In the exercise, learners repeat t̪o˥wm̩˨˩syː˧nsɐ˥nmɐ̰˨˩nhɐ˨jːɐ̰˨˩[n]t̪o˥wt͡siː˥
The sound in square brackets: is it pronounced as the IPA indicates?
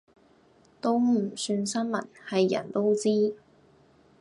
yes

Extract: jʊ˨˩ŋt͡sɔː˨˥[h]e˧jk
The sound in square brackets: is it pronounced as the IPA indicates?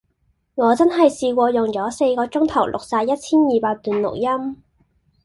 no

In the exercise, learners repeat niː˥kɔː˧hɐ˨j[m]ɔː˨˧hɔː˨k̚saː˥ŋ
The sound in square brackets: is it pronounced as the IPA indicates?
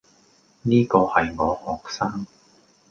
no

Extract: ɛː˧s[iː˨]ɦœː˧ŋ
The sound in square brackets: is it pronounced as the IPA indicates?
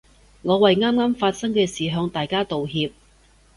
yes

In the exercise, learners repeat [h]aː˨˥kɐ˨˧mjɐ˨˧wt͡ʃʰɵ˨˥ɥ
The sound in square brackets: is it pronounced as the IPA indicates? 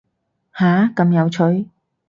yes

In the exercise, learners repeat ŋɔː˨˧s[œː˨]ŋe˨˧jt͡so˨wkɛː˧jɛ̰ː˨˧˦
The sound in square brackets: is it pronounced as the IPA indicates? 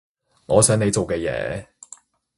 no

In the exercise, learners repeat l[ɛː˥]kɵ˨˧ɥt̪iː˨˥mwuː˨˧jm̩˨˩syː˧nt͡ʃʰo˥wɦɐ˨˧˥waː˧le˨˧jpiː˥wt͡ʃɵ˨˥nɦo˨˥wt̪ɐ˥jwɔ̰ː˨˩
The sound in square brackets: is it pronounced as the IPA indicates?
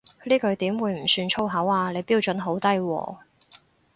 no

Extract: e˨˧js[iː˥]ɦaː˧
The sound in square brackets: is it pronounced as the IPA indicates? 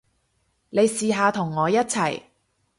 no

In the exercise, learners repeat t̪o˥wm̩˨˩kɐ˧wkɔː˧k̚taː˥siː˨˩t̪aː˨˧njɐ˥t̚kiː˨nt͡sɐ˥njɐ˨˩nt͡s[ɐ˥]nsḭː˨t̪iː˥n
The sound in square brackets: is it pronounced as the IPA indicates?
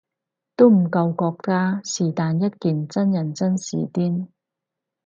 yes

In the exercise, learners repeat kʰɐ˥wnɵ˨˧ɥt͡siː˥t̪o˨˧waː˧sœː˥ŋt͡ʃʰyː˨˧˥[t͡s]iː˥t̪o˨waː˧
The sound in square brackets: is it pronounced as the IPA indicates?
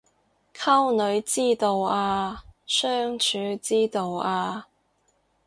yes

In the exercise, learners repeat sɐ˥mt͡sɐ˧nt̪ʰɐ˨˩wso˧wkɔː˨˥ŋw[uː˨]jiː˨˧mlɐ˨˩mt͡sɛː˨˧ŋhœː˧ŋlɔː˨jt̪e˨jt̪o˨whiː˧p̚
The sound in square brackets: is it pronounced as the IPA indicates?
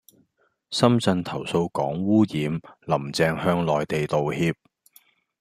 no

